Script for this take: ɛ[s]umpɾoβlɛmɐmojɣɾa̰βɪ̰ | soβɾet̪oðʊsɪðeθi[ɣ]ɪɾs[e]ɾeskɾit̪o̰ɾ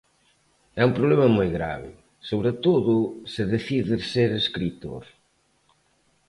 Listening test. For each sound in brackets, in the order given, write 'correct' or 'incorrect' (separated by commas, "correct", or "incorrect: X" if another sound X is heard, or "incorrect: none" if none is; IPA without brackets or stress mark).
incorrect: none, incorrect: ð, correct